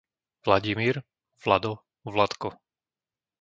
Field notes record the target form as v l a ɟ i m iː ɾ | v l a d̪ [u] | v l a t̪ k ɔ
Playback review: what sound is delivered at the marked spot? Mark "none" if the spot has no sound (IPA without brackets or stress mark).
ɔ